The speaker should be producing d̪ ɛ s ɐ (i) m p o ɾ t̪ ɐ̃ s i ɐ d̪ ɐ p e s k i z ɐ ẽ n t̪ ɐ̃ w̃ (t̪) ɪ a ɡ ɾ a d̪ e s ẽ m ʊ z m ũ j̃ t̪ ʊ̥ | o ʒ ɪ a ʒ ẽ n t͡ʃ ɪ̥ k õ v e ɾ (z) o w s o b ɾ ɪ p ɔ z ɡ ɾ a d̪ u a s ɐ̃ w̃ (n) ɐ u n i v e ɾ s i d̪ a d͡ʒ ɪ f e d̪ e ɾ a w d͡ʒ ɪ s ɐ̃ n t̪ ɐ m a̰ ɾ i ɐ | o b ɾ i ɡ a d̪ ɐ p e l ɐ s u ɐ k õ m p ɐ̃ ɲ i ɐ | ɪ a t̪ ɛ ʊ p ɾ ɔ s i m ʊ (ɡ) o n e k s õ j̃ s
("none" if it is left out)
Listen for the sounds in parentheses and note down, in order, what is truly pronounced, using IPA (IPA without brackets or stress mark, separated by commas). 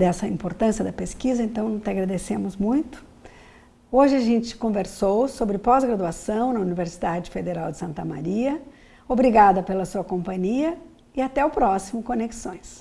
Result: ĩ, t̪, s, n, k